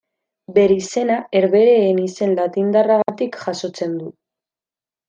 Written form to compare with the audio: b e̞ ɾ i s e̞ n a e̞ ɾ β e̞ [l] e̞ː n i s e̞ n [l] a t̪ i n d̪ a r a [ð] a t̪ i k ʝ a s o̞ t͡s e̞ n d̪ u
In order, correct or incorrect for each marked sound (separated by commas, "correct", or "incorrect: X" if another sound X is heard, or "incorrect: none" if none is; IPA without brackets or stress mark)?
incorrect: ɾ, correct, incorrect: ɣ